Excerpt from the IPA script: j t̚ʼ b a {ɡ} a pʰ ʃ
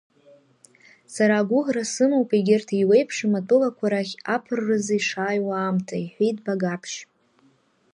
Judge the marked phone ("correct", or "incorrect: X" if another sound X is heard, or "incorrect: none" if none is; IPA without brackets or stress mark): correct